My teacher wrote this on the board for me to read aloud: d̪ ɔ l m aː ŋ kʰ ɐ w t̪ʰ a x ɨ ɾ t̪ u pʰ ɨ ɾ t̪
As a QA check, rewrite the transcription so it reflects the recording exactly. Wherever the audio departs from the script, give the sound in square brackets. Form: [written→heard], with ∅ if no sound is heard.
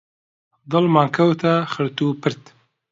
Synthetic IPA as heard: d̪ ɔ l m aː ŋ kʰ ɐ w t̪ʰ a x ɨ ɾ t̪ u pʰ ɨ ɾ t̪